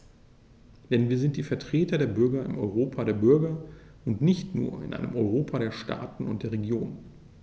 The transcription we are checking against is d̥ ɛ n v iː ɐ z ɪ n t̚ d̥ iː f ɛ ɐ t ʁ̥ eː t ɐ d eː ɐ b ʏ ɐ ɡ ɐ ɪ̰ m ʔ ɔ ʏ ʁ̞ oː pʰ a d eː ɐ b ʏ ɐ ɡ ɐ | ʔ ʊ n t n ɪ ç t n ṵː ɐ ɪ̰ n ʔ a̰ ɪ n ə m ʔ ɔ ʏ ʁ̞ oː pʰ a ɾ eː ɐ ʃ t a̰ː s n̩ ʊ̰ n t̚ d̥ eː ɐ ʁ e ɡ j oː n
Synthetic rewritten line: d̥ ɛ n v iː ɐ z ɪ n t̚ d̥ iː f ɛ ɐ t ʁ̥ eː t ɐ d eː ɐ b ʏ ɐ ɡ ɐ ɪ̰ m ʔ ɔ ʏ ʁ̞ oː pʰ a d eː ɐ b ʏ ɐ ɡ ɐ | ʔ ʊ n t n ɪ ç t n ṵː ɐ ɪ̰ n ʔ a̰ ɪ n ə m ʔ ɔ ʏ ʁ̞ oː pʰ a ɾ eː ɐ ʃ t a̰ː t n̩ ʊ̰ n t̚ d̥ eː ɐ ʁ e ɡ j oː n

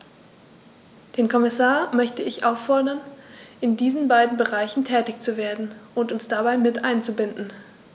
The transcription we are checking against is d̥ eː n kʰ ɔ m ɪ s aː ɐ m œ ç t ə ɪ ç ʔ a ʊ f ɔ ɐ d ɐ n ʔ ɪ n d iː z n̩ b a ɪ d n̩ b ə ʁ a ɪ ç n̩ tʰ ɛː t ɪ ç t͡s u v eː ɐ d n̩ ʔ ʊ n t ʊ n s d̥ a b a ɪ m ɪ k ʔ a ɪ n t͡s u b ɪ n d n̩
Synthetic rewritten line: d̥ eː n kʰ ɔ m ɪ s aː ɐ m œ ç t ə ɪ ç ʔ a ʊ f ɔ ɐ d ɐ n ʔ ɪ n d iː z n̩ b a ɪ d n̩ b ə ʁ a ɪ ç n̩ tʰ ɛː t ɪ ç t͡s u v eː ɐ d n̩ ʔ ʊ n t ʊ n s d̥ a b a ɪ m ɪ t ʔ a ɪ n t͡s u b ɪ n d n̩

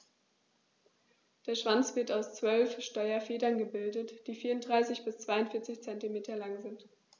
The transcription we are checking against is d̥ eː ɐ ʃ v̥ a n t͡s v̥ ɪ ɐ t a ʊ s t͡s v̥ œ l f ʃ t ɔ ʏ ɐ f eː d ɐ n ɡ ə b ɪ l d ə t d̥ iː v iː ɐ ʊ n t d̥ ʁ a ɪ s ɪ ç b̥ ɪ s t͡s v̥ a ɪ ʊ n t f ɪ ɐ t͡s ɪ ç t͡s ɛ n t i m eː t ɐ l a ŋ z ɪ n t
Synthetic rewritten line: d̥ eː ɐ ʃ v̥ a n t͡s v̥ ɪ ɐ t a ʊ s t͡s v̥ œ l f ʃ t ɔ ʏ ɐ f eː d ɐ n ɡ ə b ɪ l d ə t d̥ iː f iː ɐ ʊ n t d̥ ʁ a ɪ s ɪ ç b̥ ɪ s t͡s v̥ a ɪ ʊ n t f ɪ ɐ t͡s ɪ ç t͡s ɛ n t i m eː t ɐ l a ŋ z ɪ n t

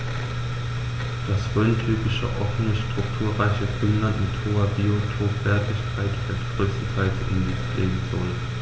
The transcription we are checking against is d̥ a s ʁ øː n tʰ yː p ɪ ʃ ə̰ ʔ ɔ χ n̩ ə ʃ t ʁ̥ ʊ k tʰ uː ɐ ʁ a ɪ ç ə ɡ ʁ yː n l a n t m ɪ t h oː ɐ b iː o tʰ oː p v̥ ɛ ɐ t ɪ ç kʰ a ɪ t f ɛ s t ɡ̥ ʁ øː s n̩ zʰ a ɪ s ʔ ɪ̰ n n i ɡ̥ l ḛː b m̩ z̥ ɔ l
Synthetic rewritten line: d̥ a s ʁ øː n tʰ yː p ɪ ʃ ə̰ ʔ ɔ f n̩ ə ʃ t ʁ̥ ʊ k tʰ uː ɐ ʁ a ɪ ç ə ɡ ʁ yː n l a n t m ɪ t h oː ɐ b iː o tʰ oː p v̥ ɛ ɐ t ɪ ç kʰ a ɪ t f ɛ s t ɡ̥ ʁ øː s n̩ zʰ a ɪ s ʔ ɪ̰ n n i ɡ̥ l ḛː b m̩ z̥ ɔ l

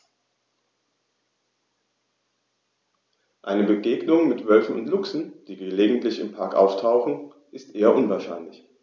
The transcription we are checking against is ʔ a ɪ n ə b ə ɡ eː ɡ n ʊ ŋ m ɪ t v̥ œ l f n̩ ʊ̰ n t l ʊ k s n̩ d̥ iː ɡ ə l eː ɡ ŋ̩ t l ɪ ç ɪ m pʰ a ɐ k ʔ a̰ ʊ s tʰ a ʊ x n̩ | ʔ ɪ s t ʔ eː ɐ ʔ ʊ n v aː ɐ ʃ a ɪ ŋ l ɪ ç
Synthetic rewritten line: ʔ a ɪ n ə b ə ɡ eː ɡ n ʊ ŋ m ɪ t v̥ œ l f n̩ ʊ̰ n t l ʊ k s n̩ d̥ iː ɡ ə l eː ɡ ŋ̩ t l ɪ ç ɪ m pʰ a ɐ k ʔ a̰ ʊ f tʰ a ʊ x n̩ | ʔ ɪ s t ʔ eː ɐ ʔ ʊ n v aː ɐ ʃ a ɪ n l ɪ ç

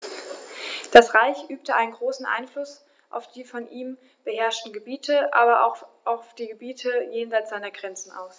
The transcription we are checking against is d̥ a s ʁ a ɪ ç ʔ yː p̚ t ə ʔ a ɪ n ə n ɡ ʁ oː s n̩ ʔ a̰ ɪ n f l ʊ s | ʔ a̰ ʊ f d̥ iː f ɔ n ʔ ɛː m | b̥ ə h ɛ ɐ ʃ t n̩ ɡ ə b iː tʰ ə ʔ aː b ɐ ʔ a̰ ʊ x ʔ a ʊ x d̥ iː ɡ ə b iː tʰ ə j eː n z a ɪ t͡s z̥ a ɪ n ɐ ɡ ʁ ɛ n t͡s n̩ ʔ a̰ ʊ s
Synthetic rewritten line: d̥ a s ʁ a ɪ ç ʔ yː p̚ t ə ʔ a ɪ n ə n ɡ ʁ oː s n̩ ʔ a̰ ɪ n f l ʊ s | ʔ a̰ ʊ f d̥ iː f ɔ n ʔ iː m | b̥ ə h ɛ ɐ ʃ t n̩ ɡ ə b iː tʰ ə ʔ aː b ɐ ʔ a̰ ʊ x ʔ a ʊ f d̥ iː ɡ ə b iː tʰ ə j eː n z a ɪ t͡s z̥ a ɪ n ɐ ɡ ʁ ɛ n t͡s n̩ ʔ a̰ ʊ s

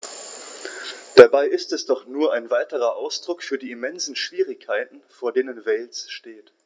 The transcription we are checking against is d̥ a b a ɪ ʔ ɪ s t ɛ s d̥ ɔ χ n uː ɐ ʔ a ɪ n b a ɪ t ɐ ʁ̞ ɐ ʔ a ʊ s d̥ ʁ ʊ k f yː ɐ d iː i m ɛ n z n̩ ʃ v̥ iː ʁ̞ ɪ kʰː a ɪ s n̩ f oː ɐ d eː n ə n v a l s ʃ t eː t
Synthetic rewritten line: d̥ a b a ɪ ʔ ɪ s t ɛ s d̥ ɔ χ n uː ɐ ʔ a ɪ n v a ɪ t ə ʁ̞ ɐ ʔ a ʊ s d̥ ʁ ʊ k f yː ɐ d iː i m ɛ n z n̩ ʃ v̥ iː ʁ̞ ɪ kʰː a ɪ t n̩ f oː ɐ d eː n ə n v ɛ l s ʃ t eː t

